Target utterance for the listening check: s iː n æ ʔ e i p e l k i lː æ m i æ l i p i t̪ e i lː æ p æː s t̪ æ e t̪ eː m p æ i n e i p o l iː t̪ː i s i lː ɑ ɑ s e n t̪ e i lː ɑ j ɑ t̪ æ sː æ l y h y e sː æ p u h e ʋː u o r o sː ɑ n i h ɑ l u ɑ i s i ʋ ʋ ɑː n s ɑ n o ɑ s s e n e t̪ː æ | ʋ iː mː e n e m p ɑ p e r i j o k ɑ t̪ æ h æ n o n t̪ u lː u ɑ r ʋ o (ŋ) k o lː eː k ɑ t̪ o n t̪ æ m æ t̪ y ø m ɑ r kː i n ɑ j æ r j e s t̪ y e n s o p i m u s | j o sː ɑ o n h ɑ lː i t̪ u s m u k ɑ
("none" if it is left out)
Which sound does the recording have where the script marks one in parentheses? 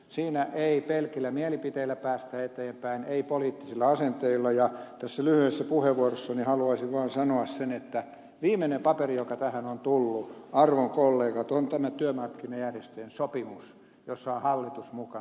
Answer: ŋ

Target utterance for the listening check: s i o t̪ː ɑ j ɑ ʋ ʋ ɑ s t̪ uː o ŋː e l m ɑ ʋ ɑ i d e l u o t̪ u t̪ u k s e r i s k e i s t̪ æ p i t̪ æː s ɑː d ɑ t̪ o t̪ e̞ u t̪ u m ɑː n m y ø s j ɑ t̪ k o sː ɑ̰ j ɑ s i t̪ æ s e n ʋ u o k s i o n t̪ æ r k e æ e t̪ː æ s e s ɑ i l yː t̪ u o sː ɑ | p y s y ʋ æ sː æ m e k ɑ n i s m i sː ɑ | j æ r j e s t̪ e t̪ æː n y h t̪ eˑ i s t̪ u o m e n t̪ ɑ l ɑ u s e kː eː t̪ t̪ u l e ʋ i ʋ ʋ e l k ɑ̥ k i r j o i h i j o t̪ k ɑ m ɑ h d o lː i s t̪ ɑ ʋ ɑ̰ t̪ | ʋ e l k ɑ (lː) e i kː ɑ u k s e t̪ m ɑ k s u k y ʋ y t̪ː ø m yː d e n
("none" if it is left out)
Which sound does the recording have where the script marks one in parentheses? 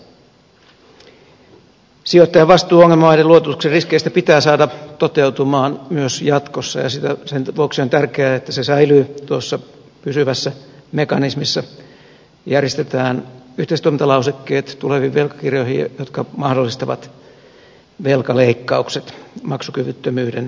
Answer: l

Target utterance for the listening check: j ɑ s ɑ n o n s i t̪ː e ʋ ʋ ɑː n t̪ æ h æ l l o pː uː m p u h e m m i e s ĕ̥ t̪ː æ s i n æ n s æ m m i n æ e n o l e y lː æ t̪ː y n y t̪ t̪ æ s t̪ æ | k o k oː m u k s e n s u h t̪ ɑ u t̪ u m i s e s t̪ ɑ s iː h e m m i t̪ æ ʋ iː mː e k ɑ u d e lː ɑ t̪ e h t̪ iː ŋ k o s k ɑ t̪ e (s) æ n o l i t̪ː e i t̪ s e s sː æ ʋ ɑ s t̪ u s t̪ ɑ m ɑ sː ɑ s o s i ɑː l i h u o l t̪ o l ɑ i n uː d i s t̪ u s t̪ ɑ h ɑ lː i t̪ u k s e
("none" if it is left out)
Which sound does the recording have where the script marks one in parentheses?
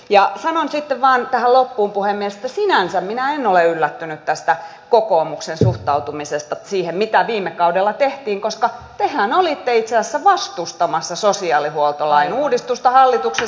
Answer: h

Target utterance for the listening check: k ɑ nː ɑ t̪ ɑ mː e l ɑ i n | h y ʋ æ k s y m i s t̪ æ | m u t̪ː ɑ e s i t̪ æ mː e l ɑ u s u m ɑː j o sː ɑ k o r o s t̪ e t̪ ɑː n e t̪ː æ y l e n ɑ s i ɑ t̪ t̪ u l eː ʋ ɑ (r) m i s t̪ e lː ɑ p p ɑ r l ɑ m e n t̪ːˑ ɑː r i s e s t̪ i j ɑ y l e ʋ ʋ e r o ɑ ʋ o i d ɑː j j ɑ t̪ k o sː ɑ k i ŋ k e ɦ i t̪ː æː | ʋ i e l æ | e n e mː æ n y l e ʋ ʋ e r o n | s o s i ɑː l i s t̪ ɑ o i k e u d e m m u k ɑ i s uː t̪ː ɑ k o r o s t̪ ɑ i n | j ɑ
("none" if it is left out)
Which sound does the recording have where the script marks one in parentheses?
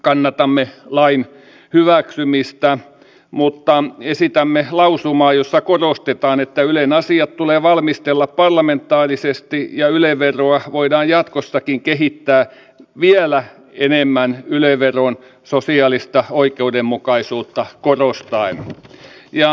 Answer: l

